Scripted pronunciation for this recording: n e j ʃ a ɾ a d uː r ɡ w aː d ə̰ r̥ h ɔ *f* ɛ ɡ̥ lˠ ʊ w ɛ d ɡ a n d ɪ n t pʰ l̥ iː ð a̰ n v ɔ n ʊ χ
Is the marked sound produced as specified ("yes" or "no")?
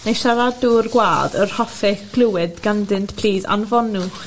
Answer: yes